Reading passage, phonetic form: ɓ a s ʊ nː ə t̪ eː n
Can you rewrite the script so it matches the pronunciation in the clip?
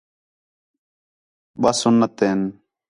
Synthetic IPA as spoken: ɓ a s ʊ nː ə t̪ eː n